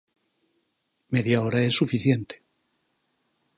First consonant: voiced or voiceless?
voiced